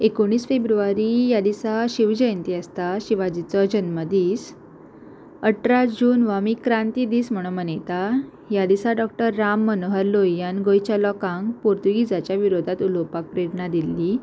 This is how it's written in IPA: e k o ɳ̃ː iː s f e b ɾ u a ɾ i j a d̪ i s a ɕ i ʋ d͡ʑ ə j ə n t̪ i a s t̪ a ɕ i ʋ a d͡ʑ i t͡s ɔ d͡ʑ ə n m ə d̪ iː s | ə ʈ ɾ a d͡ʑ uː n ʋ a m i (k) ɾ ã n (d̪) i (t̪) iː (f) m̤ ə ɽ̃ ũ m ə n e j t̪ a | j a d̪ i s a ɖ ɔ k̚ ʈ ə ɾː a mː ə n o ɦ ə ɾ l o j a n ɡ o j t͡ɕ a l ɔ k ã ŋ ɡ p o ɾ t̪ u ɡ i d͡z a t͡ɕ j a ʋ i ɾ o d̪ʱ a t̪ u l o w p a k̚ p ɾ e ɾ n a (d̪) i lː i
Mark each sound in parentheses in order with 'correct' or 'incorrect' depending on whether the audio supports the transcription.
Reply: correct, incorrect, incorrect, incorrect, correct

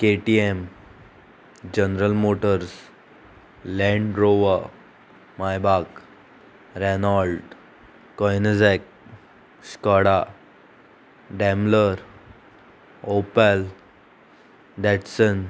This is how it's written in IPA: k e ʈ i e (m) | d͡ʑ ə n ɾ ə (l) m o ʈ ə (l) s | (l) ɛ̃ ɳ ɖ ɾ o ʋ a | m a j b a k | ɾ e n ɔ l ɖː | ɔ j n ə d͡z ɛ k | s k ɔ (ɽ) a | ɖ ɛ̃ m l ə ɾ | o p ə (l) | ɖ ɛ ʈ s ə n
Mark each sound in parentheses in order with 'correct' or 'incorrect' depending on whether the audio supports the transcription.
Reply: correct, correct, incorrect, correct, correct, correct

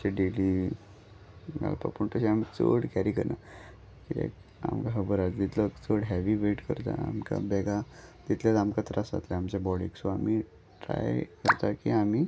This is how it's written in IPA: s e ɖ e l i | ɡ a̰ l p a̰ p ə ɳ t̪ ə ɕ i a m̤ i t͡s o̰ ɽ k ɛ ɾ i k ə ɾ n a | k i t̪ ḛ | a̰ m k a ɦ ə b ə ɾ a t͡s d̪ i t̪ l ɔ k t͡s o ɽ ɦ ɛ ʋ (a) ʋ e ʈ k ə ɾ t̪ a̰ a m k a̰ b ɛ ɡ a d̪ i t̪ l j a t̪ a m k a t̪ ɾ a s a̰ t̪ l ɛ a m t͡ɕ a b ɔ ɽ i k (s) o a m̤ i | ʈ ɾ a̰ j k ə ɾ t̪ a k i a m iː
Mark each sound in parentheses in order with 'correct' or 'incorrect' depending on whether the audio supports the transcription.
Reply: incorrect, correct

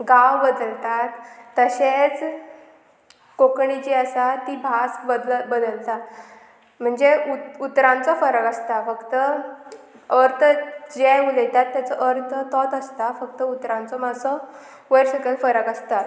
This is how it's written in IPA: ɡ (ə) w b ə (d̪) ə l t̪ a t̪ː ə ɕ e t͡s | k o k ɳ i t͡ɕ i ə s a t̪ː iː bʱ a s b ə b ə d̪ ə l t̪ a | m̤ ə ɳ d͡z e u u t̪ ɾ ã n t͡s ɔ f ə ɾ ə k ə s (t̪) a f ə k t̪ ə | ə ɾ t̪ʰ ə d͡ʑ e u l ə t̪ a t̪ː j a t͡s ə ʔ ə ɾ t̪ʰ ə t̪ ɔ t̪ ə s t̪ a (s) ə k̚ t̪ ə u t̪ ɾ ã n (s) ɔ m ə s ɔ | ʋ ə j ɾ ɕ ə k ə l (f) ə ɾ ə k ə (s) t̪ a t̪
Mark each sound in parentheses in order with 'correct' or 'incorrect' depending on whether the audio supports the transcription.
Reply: incorrect, correct, correct, incorrect, incorrect, correct, correct

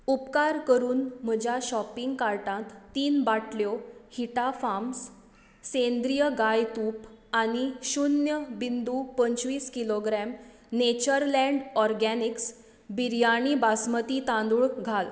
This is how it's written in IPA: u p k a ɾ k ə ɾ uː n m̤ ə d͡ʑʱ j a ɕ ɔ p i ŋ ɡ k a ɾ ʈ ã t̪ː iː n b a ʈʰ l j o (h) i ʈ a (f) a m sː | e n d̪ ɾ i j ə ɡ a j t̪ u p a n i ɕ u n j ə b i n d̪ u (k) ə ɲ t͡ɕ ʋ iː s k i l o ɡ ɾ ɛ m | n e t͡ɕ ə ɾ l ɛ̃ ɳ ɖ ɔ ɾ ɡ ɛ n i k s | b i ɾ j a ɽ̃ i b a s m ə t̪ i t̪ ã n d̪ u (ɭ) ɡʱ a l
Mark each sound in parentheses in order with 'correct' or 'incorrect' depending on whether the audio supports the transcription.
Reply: correct, correct, incorrect, correct

